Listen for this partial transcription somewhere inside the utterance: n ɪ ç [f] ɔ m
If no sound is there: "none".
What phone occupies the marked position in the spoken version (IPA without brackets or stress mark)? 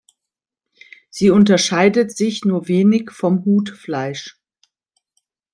f